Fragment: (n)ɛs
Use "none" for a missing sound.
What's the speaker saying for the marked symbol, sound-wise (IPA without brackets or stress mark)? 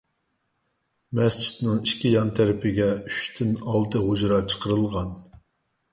m